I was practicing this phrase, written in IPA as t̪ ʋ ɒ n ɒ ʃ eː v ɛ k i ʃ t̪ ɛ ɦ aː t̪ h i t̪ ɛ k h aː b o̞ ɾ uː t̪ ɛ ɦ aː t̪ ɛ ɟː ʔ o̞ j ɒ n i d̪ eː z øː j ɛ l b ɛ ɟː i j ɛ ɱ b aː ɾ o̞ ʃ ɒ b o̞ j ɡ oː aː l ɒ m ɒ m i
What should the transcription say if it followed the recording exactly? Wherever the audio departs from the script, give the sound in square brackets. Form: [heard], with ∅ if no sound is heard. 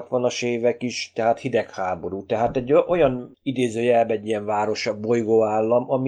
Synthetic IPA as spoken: t̪ ʋ ɒ n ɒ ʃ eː v ɛ k i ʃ t̪ ɛ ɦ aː t̪ h i [d̪] ɛ k h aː b o̞ ɾ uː t̪ ɛ ɦ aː t̪ ɛ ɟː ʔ o̞ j ɒ n i d̪ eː z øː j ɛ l b ɛ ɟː i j ɛ ɱ [v] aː ɾ o̞ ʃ ɒ b o̞ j ɡ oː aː [lː] ɒ m ɒ m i